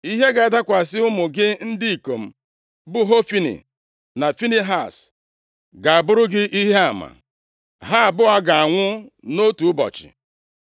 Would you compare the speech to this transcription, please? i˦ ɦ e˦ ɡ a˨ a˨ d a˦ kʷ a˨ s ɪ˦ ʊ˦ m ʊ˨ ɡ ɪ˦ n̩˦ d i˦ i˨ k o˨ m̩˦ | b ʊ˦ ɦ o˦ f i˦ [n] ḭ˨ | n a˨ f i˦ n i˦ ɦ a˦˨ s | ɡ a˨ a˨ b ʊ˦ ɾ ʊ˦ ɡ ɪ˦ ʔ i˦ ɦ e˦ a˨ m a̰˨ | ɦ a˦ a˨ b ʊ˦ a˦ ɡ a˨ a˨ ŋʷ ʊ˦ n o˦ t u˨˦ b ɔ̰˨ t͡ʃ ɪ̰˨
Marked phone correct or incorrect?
correct